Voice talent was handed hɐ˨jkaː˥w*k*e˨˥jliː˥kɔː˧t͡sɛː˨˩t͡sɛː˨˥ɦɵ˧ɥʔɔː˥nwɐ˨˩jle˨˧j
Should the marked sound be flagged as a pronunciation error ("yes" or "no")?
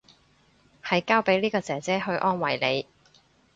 yes